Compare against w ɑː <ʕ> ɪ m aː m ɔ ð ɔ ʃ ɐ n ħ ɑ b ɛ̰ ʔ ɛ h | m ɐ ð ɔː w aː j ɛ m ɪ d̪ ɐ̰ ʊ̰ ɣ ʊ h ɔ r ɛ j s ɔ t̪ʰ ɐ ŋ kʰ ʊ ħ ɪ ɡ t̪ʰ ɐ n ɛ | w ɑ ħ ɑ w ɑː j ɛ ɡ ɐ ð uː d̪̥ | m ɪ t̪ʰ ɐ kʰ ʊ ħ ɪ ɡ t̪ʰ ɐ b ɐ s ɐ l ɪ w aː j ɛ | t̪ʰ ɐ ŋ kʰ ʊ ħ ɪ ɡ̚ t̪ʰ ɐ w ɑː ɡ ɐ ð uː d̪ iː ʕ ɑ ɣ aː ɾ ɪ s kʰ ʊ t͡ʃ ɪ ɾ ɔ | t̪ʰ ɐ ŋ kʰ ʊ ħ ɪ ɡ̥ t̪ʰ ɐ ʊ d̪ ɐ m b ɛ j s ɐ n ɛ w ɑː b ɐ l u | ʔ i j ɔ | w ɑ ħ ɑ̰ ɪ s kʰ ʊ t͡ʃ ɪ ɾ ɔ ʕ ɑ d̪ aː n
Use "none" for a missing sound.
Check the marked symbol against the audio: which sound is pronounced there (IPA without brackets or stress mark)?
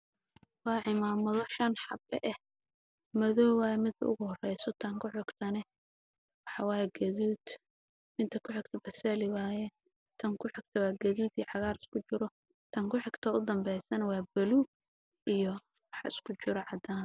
ʕ